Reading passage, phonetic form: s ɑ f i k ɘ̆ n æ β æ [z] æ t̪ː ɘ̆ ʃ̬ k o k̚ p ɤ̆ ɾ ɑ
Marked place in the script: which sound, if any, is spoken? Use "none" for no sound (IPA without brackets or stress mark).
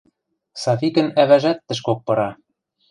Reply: ʒ